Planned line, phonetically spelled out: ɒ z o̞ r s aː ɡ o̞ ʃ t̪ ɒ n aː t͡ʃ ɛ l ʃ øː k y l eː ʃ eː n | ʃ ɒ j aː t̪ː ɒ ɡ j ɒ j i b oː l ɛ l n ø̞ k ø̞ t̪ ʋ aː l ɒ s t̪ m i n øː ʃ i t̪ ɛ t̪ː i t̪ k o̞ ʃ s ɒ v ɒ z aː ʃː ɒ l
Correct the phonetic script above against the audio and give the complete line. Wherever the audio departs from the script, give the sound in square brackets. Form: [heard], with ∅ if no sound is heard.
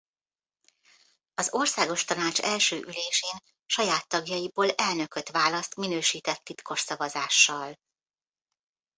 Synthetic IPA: ɒ z o̞ r s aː ɡ o̞ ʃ t̪ ɒ n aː t͡ʃ ɛ l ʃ øː [ʔ] y l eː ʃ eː n | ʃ ɒ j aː t̪ː ɒ ɡ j ɒ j i b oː l ɛ l n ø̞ k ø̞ t̪ ʋ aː l ɒ s t̪ m i n øː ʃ [iː] t̪ ɛ t̪ː i t̪ k o̞ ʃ s ɒ v ɒ z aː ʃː ɒ l